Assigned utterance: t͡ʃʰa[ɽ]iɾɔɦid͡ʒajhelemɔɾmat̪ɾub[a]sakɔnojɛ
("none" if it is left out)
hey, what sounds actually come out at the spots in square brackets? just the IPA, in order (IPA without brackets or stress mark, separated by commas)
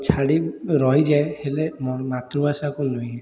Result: ɽ, a